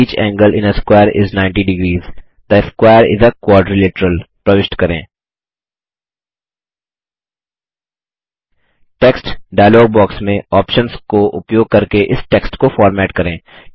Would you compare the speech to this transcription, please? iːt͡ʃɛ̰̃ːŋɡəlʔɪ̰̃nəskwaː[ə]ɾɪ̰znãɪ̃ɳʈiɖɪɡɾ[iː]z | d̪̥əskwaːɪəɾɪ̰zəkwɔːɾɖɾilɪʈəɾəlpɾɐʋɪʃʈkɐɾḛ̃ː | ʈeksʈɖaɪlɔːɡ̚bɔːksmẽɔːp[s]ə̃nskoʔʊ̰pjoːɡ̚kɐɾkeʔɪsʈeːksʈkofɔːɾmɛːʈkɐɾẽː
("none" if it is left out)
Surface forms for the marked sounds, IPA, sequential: ə, iː, ʃ

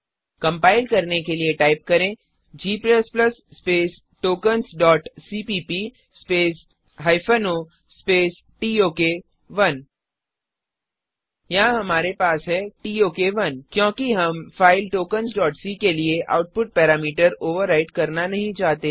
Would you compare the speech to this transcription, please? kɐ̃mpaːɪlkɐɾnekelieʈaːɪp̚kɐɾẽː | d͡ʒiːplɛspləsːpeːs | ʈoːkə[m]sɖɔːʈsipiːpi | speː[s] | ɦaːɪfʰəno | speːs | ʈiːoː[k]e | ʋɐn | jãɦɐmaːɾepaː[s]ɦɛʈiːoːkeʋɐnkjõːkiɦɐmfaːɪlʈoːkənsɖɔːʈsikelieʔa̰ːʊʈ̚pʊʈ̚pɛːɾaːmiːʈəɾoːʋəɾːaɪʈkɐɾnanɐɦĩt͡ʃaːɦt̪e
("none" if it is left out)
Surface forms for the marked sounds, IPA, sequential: n, s, k, s

